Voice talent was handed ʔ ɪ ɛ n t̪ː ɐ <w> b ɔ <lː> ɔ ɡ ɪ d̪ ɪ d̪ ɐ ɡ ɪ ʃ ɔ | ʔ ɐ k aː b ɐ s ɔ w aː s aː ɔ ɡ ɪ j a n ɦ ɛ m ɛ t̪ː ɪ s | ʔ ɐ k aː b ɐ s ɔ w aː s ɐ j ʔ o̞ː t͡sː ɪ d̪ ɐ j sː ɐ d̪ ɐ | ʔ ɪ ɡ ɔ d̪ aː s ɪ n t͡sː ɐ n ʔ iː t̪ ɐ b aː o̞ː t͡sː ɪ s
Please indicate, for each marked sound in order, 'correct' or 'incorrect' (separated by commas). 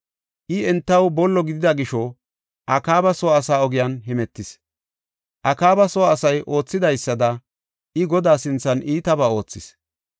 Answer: correct, correct